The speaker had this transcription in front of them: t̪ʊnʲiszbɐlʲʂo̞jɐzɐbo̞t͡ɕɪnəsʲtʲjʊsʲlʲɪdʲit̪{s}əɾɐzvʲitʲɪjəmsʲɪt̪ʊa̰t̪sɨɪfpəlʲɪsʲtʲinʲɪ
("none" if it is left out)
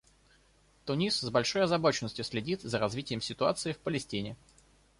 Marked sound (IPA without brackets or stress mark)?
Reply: z